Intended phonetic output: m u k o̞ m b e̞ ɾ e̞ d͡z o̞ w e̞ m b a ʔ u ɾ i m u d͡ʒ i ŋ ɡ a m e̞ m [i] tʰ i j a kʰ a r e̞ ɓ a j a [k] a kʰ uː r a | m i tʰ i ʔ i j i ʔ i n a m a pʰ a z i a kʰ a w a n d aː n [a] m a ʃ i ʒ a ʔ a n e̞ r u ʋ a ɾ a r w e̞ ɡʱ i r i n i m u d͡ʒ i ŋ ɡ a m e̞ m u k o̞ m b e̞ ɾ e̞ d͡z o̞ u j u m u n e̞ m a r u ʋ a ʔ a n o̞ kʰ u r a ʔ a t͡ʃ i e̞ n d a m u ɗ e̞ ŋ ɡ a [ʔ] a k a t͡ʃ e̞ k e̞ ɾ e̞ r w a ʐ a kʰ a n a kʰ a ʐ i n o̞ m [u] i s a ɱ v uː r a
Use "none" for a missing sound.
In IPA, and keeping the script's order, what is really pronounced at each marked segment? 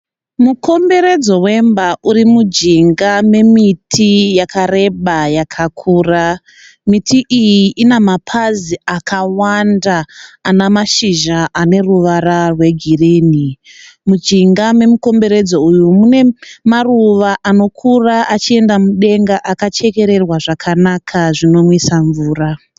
i, kʰ, a, ʔ, w

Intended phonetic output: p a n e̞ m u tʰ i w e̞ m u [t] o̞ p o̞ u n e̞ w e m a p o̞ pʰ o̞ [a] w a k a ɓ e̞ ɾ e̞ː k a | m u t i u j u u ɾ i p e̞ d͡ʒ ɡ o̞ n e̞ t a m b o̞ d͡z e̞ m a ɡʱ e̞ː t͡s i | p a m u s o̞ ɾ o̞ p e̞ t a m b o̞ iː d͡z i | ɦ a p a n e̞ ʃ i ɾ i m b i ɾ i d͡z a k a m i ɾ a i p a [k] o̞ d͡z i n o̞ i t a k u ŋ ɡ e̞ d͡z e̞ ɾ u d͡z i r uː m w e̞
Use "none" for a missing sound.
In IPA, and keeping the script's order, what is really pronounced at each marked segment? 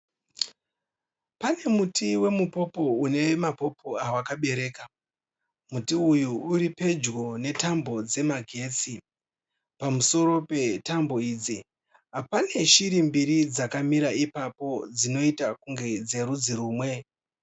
p, a, p

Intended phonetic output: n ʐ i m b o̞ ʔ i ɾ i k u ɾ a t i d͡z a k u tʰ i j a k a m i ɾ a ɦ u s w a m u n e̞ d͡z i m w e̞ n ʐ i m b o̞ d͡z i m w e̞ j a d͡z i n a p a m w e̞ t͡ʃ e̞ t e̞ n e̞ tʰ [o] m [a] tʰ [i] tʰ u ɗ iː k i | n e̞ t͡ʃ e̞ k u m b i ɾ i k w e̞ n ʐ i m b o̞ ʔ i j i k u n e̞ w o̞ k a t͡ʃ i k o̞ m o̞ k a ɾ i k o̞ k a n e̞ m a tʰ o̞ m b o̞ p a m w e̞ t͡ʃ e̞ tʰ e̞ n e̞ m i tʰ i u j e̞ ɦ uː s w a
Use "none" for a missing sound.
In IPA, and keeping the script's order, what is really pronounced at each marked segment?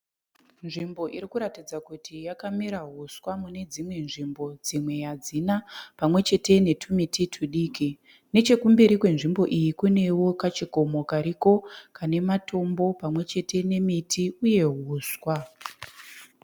u, i, i

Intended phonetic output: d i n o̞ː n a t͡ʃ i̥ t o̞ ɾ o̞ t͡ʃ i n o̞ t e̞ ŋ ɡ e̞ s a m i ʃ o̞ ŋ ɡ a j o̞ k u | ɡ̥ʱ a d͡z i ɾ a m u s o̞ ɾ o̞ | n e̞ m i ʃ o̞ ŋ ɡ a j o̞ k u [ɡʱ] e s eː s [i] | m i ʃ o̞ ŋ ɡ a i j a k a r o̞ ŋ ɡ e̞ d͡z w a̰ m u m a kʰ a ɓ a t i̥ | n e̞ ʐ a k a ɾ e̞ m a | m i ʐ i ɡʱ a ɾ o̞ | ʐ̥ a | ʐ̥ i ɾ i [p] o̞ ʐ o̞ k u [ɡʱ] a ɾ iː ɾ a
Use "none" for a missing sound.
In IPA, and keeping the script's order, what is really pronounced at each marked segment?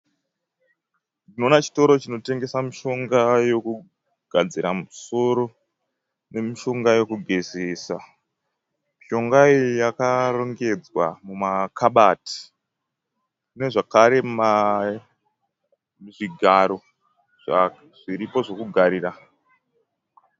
ɡʱ, a, p, ɡʱ

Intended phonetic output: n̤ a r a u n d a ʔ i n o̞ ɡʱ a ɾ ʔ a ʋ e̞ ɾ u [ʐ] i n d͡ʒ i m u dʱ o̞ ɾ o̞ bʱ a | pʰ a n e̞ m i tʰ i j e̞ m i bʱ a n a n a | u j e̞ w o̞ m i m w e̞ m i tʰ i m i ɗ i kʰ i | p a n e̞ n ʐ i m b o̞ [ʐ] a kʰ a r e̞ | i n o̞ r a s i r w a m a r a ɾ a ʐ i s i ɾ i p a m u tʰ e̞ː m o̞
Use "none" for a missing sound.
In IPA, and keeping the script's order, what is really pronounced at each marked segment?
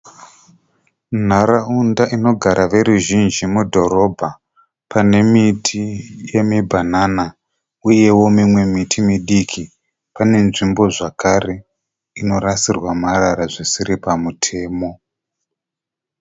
ʒ, ʐ

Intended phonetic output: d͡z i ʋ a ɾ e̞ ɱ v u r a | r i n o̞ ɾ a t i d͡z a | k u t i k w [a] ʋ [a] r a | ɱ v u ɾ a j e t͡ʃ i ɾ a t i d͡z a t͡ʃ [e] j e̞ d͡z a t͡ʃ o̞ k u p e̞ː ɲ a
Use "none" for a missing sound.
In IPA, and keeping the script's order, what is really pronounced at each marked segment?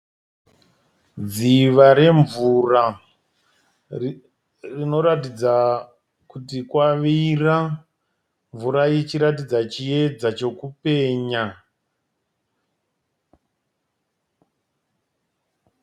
a, i, i

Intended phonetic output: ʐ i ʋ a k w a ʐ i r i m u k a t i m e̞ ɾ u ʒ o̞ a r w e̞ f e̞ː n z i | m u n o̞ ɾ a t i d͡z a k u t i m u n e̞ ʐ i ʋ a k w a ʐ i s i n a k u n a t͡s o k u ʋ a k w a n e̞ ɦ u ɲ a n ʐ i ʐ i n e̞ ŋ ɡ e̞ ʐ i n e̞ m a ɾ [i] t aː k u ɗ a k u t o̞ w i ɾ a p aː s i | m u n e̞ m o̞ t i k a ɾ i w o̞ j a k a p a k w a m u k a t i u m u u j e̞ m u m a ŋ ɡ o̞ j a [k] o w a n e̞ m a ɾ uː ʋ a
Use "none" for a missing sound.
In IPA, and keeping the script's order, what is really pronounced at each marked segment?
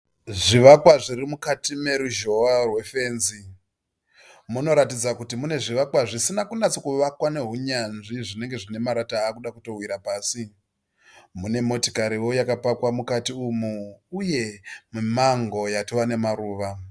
a, t

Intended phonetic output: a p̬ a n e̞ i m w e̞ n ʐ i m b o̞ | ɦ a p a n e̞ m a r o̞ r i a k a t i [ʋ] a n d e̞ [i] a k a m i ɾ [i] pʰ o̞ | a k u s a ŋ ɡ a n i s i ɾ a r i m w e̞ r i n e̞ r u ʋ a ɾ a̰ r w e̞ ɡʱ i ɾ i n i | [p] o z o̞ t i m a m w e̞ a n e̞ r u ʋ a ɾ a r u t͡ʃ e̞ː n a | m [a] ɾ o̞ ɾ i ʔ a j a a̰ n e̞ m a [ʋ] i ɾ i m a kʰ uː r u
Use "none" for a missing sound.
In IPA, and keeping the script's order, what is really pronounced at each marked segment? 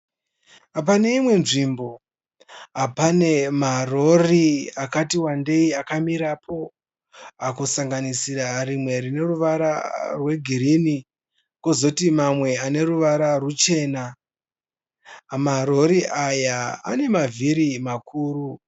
w, i, a, k, a, v

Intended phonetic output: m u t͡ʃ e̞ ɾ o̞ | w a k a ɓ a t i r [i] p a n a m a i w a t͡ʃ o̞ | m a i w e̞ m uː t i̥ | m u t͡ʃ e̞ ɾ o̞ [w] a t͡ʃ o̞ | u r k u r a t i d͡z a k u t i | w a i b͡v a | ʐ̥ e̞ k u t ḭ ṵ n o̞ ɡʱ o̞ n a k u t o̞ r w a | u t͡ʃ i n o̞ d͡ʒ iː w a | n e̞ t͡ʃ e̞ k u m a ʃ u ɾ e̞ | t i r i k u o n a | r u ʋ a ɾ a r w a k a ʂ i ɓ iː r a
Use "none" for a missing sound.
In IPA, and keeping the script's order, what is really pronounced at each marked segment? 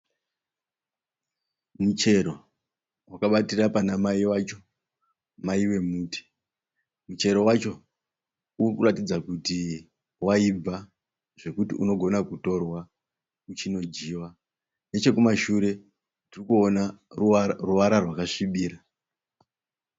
a, w

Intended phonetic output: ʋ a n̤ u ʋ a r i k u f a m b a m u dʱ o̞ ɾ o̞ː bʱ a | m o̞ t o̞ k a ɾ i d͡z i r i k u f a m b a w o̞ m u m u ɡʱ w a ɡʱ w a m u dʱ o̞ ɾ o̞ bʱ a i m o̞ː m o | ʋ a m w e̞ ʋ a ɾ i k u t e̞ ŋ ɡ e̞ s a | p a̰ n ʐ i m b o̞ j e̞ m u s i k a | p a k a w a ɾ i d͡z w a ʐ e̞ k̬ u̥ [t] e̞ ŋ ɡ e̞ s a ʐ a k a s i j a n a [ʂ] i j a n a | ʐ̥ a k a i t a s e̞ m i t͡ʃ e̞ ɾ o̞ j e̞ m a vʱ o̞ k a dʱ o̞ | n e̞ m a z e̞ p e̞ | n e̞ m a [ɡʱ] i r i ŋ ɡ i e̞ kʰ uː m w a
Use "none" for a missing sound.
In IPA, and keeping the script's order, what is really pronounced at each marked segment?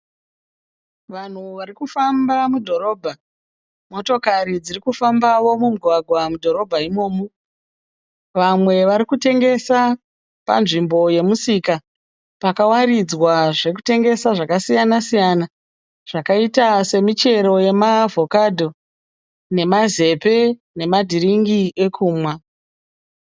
t, s, dʱ

